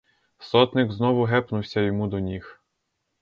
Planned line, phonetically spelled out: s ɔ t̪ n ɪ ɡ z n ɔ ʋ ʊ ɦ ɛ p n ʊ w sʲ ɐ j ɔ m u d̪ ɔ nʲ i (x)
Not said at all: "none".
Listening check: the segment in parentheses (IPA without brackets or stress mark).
x